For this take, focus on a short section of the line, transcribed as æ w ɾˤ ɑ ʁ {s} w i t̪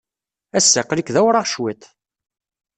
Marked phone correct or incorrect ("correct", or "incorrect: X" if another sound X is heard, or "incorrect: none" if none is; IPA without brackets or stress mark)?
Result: incorrect: ʃ